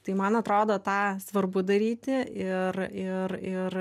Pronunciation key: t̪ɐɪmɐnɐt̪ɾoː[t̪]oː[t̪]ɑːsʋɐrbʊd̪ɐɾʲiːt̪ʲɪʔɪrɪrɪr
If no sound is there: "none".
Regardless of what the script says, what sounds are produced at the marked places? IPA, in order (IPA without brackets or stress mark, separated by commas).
d̪, t̪